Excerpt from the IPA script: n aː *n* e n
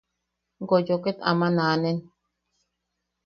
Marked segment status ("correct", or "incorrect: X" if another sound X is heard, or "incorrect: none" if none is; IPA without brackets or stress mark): correct